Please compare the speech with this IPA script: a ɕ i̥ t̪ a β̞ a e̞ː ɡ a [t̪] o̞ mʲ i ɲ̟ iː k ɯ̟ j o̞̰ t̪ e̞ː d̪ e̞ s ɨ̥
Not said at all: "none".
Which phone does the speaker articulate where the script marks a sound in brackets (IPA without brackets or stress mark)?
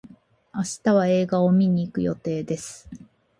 none